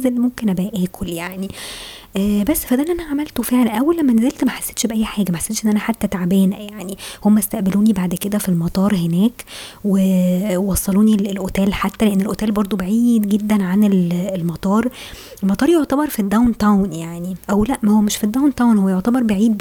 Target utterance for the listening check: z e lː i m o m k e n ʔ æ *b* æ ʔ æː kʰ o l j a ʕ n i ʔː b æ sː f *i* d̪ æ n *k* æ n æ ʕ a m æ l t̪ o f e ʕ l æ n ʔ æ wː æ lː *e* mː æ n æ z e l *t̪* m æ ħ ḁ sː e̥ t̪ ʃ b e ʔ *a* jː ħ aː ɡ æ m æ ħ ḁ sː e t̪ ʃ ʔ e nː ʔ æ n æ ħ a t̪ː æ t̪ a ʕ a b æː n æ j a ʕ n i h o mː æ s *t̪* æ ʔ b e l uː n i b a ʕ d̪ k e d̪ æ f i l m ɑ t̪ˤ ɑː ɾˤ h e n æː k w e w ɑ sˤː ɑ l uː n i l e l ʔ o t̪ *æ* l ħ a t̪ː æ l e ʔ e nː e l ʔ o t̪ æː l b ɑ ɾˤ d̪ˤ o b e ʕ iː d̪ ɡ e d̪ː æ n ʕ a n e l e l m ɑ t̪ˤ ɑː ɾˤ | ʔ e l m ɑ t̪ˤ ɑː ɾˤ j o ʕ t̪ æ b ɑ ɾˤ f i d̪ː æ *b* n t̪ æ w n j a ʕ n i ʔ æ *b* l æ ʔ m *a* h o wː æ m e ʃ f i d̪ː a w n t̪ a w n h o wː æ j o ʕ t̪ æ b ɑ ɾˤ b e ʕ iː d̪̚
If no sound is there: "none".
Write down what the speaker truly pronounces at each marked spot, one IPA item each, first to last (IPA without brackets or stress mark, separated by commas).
b, æ, ʔ, æ, t̪, æ, t̪, æː, w, w, æ